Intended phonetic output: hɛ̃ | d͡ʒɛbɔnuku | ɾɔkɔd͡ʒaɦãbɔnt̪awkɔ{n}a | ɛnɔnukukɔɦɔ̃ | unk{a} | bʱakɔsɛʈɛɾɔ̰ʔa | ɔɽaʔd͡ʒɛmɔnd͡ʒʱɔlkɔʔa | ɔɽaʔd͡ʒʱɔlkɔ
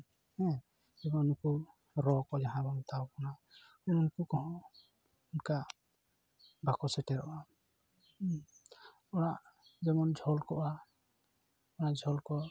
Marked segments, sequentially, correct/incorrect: correct, correct

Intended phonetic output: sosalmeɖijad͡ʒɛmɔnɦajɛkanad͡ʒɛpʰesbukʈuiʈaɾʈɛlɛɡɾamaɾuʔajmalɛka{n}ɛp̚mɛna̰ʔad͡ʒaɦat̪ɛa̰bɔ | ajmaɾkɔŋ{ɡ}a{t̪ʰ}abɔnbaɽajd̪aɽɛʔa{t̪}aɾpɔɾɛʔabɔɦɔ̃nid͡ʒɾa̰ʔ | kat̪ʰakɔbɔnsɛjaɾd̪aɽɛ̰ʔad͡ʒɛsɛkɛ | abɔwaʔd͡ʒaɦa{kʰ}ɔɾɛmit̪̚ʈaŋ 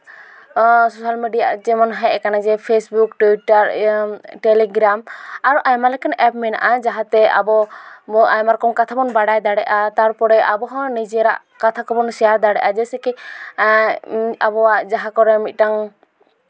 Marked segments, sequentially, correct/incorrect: correct, incorrect: k, correct, correct, incorrect: k

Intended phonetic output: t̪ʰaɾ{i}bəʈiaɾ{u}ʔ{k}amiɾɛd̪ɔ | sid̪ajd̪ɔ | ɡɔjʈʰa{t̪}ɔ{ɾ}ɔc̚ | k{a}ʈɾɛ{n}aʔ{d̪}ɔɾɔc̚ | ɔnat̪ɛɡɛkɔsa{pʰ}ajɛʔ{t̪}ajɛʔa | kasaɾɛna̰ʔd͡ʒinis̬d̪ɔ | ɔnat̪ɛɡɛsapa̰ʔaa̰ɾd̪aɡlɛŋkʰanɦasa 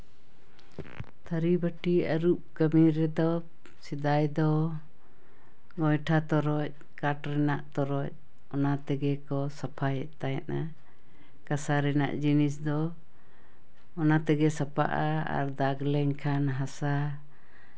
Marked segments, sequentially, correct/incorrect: correct, correct, correct, correct, correct, correct, correct, incorrect: t̪, correct, correct

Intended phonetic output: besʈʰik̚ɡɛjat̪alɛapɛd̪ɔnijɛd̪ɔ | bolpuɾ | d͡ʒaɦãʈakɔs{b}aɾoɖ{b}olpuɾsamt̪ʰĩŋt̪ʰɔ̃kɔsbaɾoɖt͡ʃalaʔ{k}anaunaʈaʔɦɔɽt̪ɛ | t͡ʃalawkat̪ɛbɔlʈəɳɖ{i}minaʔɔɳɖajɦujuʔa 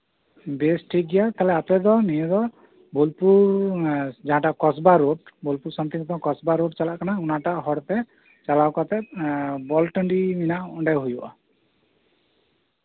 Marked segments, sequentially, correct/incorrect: correct, correct, correct, correct

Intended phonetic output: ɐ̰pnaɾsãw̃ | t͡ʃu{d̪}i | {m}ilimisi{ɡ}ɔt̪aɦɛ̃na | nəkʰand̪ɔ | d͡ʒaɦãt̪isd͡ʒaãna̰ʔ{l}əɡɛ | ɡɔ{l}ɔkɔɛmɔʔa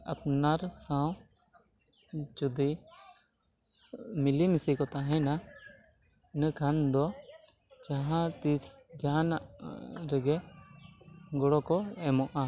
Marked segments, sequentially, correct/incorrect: correct, correct, incorrect: k, incorrect: ɾ, incorrect: ɽ

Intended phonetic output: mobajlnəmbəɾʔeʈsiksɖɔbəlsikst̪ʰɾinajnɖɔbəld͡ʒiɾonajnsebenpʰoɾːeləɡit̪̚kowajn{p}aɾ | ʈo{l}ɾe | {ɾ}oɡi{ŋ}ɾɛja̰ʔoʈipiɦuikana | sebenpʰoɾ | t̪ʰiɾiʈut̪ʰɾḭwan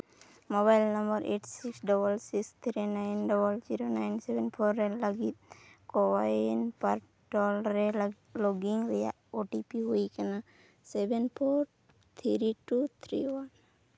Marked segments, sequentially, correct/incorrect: correct, correct, incorrect: l, correct

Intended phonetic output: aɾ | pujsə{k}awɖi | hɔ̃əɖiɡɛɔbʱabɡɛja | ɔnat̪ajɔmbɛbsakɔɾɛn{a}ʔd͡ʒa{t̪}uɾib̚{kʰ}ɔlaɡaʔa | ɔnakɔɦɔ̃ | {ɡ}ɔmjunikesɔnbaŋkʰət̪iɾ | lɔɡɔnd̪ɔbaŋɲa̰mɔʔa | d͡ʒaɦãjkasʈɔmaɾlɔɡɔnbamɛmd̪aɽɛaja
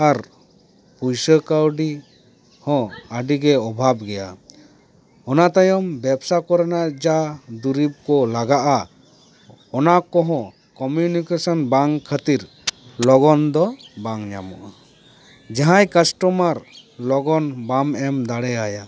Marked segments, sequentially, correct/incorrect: correct, correct, incorrect: d̪, incorrect: k, incorrect: k

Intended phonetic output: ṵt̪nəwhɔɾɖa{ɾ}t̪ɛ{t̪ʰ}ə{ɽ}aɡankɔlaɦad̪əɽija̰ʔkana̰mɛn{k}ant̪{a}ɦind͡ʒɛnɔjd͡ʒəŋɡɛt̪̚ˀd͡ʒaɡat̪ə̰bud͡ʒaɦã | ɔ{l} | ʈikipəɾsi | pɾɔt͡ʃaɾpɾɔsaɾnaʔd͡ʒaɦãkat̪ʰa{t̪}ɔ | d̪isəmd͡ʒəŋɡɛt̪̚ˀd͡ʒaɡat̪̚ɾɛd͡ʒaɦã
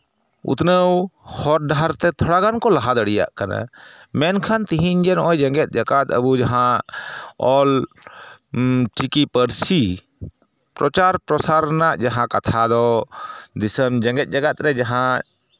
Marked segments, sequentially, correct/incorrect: correct, correct, correct, incorrect: kʰ, incorrect: i, correct, incorrect: d̪

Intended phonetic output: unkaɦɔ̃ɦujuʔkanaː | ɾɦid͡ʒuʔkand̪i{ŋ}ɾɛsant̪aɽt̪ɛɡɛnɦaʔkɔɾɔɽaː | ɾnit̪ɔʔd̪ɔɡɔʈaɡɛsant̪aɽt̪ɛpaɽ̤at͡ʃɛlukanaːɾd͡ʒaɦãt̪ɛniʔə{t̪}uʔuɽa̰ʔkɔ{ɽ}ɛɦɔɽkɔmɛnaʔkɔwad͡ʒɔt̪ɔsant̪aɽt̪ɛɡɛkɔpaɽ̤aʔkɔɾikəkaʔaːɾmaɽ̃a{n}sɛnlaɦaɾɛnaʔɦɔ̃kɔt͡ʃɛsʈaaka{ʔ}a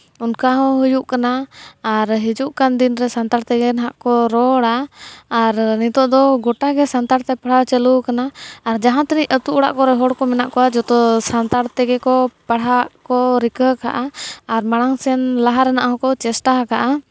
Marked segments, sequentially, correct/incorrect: incorrect: n, correct, incorrect: ɾ, incorrect: ŋ, correct

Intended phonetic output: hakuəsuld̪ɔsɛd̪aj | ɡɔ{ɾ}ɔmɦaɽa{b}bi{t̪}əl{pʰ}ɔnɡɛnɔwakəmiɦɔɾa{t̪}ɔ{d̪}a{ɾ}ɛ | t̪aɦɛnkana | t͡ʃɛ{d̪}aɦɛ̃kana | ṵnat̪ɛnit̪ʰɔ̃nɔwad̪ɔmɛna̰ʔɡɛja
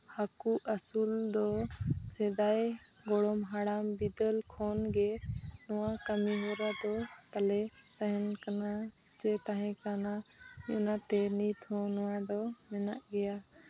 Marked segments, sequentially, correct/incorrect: incorrect: ɽ, incorrect: m, incorrect: d̪, incorrect: kʰ, incorrect: d̪, incorrect: t̪, incorrect: l, incorrect: t̪

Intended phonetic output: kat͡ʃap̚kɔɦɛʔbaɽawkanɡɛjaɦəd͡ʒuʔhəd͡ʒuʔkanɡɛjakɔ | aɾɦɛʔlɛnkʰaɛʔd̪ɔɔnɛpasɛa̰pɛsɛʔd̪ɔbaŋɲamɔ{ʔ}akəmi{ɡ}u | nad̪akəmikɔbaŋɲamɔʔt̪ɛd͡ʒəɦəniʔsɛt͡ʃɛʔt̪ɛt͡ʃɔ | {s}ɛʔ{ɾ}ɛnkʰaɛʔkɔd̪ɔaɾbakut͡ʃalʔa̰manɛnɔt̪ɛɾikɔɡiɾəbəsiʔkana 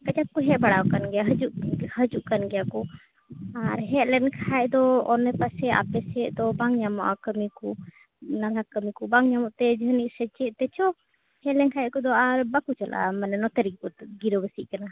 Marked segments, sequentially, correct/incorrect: correct, incorrect: k, incorrect: h, incorrect: l

